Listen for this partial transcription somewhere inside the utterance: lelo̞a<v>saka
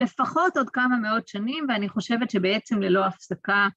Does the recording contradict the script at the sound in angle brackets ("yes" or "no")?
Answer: yes